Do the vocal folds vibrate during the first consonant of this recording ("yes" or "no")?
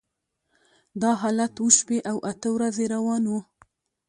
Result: yes